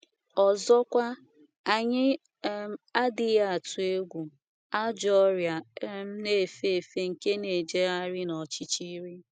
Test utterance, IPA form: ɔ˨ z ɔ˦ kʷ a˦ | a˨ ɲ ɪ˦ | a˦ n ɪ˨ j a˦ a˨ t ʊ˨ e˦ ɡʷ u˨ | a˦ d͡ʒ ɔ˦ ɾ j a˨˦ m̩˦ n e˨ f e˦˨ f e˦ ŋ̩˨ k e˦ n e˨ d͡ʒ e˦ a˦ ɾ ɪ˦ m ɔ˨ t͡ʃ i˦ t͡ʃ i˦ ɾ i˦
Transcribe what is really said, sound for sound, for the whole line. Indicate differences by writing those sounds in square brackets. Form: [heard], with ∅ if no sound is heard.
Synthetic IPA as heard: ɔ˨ z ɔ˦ kʷ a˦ | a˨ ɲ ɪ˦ | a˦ [d] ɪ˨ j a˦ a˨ t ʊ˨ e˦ ɡʷ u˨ | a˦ d͡ʒ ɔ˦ ɾ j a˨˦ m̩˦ n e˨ f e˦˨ f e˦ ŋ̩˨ k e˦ n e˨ d͡ʒ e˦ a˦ ɾ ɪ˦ [n] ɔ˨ t͡ʃ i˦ t͡ʃ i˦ ɾ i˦